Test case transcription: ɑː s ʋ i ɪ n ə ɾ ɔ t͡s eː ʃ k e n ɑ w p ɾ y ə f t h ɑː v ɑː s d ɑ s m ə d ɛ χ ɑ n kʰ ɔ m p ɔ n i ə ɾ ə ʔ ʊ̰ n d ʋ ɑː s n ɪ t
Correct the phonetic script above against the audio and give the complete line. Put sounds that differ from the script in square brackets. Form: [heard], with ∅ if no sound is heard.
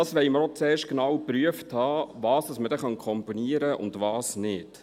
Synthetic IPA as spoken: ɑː s ʋ [ɛ] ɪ [m] ə ɾ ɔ t͡s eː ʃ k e n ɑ w p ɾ y ə f t h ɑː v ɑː s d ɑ s m ə d ɛ χ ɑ n kʰ ɔ m p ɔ n i ə ɾ ə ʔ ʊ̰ n d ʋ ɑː s n ɪ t